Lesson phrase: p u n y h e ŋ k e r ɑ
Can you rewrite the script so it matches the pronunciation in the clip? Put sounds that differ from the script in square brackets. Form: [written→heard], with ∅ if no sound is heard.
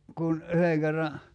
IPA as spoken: [p→k] u n y h e ŋ k e [r→rː] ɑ